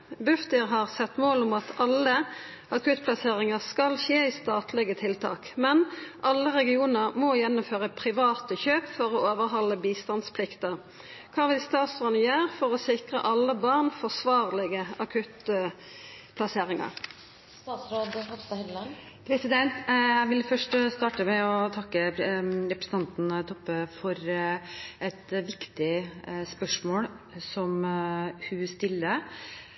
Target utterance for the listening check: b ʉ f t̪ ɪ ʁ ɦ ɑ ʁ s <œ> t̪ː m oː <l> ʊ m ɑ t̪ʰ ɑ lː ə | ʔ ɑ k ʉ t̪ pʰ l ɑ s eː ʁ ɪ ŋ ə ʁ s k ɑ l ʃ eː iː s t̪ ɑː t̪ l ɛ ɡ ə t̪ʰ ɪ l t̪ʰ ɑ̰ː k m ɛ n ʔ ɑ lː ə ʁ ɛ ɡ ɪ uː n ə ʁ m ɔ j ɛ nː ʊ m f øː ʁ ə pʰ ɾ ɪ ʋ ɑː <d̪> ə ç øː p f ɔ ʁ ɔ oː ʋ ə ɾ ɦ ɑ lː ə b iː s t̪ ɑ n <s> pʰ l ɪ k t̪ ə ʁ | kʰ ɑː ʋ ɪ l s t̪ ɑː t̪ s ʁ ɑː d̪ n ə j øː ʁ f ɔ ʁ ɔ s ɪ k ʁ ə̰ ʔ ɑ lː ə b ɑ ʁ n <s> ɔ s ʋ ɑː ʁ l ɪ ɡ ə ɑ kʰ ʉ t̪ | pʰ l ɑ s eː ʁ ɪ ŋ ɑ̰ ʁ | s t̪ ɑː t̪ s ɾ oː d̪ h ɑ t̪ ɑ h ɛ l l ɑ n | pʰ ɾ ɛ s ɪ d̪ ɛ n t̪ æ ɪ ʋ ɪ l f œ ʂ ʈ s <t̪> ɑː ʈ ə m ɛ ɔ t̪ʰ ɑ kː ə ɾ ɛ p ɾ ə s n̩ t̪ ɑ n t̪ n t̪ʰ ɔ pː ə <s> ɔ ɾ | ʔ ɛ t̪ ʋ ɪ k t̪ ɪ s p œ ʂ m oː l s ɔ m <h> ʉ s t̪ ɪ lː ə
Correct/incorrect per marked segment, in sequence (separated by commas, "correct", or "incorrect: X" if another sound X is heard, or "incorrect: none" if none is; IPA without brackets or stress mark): incorrect: ɛ, correct, incorrect: t̪, correct, incorrect: f, correct, incorrect: f, correct